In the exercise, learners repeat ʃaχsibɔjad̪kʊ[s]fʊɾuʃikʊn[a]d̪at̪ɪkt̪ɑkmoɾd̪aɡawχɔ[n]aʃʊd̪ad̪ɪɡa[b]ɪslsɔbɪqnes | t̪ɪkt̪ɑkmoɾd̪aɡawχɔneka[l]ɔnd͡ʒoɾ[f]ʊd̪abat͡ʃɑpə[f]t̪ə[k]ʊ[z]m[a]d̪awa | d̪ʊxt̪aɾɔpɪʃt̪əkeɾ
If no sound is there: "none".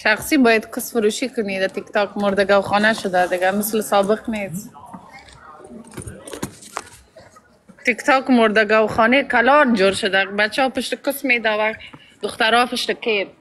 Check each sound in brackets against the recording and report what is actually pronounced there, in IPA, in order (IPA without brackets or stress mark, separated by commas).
s, i, n, m, l, ʃ, ʃ, k, s, e